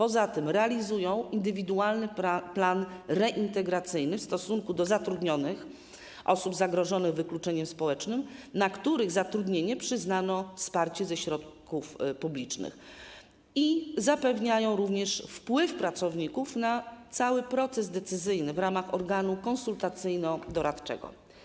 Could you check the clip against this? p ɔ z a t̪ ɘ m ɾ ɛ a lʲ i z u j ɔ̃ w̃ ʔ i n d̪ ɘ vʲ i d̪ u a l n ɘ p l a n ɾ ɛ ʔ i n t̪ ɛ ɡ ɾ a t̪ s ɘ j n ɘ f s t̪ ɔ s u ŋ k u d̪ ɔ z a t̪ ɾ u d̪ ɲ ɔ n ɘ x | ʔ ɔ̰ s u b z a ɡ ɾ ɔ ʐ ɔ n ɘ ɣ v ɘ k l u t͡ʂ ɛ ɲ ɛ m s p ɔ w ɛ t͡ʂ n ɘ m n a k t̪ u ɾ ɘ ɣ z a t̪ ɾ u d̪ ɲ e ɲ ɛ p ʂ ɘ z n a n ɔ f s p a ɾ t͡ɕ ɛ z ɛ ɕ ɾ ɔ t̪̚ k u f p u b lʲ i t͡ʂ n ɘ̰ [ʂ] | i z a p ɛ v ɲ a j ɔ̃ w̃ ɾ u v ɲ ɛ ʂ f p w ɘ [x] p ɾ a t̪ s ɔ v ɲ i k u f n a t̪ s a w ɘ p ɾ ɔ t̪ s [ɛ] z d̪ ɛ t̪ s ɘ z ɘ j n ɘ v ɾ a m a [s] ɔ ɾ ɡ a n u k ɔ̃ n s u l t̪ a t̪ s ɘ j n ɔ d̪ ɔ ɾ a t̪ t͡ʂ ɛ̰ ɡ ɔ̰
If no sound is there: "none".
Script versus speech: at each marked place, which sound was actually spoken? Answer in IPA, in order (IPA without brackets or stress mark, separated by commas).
x, f, ɛ, x